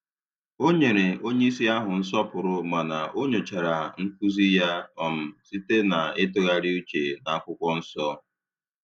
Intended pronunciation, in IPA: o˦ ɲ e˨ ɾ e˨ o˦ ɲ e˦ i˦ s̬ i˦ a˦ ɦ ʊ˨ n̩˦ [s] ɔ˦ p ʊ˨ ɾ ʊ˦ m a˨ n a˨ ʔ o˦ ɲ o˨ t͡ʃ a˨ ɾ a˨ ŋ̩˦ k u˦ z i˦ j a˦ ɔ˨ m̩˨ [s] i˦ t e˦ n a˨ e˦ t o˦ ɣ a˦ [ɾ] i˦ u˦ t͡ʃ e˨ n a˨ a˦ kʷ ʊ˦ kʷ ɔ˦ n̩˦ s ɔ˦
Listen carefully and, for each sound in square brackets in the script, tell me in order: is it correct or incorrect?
correct, correct, correct

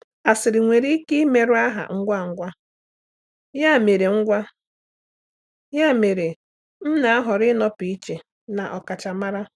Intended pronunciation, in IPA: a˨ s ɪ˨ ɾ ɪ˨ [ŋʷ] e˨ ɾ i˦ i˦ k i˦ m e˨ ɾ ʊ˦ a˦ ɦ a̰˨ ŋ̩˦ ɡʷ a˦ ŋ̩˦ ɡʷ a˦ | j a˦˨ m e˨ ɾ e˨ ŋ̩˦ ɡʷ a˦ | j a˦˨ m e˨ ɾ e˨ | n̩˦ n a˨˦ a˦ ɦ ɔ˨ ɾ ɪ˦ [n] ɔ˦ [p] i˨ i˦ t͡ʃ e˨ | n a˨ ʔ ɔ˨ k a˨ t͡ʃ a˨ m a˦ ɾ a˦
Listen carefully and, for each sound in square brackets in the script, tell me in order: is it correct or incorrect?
correct, correct, correct

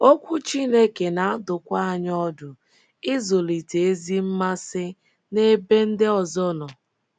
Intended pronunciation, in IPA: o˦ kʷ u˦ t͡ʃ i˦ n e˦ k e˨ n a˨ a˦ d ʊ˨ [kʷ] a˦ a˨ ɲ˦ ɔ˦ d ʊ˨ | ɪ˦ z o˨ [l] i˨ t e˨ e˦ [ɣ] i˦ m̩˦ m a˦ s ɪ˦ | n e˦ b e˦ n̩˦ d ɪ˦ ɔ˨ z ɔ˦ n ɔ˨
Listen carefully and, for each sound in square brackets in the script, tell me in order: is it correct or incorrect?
correct, correct, incorrect

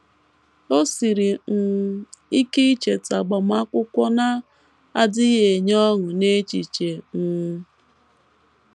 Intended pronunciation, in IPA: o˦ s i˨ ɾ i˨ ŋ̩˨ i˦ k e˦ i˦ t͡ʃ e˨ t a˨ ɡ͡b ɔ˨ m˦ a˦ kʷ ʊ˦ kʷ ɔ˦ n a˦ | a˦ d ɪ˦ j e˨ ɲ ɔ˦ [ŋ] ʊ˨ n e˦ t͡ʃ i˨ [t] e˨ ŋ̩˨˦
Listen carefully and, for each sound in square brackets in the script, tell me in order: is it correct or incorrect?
correct, incorrect

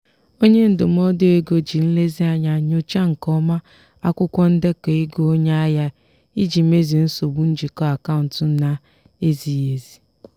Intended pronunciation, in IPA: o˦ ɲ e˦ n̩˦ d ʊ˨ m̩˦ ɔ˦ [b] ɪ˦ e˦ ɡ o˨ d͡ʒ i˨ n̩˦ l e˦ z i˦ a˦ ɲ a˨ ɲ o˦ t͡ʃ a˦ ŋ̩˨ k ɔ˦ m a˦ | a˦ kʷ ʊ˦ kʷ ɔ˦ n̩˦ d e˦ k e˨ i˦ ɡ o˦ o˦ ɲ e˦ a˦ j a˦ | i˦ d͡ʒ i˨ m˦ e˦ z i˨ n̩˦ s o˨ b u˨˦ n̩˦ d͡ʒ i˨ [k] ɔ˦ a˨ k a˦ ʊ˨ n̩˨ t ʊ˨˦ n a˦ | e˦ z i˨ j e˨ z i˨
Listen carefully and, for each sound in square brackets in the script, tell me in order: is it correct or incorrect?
incorrect, correct

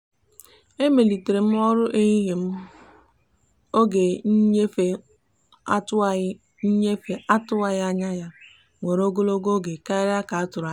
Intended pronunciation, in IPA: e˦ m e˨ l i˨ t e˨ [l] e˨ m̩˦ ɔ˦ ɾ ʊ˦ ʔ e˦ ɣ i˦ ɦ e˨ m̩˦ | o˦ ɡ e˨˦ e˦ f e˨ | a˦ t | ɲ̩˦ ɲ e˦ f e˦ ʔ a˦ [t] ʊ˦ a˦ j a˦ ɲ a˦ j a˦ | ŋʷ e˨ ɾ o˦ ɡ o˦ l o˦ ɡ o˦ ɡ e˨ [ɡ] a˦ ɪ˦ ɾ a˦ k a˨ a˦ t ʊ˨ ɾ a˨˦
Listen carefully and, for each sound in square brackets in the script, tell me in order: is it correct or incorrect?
incorrect, correct, incorrect

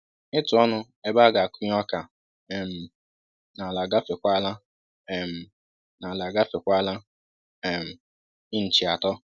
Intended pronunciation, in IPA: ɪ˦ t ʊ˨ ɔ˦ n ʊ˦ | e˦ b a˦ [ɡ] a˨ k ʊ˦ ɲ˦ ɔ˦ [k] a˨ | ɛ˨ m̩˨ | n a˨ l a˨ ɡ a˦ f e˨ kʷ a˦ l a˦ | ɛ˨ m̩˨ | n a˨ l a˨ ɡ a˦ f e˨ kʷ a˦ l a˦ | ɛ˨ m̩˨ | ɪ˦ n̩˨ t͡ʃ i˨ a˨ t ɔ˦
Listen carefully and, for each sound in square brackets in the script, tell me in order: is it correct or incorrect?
correct, correct

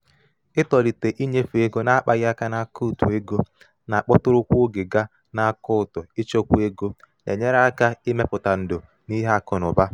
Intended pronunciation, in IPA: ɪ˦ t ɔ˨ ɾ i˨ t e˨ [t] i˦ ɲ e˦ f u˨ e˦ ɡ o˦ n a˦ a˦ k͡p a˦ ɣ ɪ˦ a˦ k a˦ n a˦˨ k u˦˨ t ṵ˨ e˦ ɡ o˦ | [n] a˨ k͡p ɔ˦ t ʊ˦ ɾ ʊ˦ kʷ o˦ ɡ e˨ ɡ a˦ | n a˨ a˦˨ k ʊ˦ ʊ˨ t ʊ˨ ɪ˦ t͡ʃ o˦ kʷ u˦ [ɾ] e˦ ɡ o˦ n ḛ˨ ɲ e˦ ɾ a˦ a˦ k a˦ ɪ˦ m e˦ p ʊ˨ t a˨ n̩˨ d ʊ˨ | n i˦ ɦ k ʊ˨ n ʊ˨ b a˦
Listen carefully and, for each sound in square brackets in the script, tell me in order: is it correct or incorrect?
incorrect, correct, incorrect

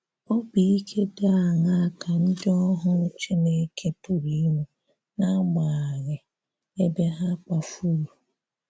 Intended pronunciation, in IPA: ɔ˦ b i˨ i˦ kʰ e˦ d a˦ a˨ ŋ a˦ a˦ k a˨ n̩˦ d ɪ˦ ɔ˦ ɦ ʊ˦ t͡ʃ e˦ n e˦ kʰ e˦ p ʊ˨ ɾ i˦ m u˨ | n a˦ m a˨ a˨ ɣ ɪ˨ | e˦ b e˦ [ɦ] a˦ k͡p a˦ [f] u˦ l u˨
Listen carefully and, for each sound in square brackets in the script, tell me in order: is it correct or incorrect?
correct, correct

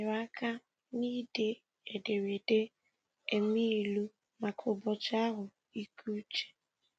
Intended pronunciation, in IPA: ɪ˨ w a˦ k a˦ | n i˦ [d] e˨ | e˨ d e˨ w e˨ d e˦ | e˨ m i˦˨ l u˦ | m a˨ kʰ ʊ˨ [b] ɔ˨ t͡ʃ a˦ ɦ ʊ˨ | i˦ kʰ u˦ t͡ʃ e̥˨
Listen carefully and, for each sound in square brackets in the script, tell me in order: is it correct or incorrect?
correct, correct

